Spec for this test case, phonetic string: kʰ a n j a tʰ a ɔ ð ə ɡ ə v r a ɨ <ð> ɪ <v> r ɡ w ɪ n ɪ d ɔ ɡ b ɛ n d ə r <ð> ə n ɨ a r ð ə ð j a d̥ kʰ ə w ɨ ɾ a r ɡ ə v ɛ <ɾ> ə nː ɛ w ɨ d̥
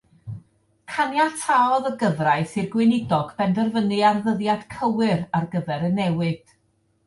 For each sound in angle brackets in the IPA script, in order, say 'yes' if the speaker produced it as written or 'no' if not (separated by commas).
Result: no, no, no, yes